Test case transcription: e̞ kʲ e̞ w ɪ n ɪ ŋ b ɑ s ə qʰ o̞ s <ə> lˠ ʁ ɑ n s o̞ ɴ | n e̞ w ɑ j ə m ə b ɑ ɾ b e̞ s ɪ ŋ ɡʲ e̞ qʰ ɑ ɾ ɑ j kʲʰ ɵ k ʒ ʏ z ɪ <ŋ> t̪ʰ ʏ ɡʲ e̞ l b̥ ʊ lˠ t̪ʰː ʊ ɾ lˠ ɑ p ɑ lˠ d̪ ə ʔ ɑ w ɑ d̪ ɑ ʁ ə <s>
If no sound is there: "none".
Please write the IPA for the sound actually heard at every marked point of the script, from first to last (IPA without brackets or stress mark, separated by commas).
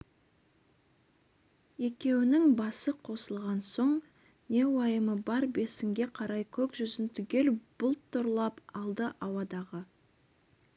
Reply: ə, n, none